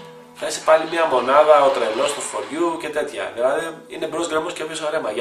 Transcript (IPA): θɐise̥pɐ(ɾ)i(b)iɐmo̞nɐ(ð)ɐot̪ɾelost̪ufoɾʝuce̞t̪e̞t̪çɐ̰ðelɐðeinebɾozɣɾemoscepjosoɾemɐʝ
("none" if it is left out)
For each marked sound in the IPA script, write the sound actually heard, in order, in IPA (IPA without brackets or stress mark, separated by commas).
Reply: l, m, ð